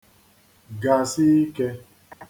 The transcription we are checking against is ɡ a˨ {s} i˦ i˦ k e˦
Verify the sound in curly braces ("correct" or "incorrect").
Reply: correct